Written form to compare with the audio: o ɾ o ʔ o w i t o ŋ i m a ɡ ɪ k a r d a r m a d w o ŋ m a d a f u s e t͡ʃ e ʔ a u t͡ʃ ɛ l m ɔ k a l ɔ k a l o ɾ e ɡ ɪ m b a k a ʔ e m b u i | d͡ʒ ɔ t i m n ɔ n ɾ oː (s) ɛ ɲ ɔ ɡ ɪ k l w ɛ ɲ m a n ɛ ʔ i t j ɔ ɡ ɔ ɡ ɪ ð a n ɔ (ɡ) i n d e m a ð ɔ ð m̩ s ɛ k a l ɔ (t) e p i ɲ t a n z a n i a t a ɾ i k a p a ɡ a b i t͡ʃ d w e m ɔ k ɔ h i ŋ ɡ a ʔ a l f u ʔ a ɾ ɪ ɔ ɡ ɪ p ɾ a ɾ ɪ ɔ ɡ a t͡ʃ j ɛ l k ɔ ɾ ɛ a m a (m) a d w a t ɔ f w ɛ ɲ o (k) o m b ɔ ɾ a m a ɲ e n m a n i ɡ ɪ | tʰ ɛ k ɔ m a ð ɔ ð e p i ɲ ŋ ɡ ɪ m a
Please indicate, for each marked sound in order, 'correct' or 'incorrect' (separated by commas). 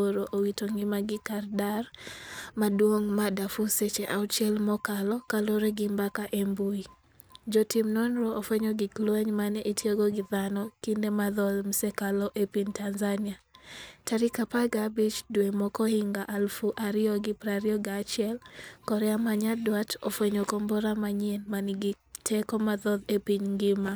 incorrect, incorrect, incorrect, incorrect, correct